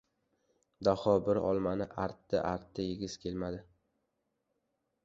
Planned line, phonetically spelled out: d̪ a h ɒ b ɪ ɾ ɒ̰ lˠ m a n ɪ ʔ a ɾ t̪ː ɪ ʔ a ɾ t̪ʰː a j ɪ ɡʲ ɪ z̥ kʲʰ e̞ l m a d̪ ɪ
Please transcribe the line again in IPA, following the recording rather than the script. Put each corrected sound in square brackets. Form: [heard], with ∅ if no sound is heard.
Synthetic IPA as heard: d̪ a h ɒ b ɪ ɾ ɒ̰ lˠ m a n ɪ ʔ a ɾ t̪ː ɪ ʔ a ɾ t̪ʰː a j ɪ ɡʲ ɪ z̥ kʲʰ e̞ l m a d̪ ɪ